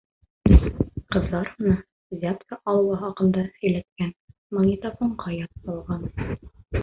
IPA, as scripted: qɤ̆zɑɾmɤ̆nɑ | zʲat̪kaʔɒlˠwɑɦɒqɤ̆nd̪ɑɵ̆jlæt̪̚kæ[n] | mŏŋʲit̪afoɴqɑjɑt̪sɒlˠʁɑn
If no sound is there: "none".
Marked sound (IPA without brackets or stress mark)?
n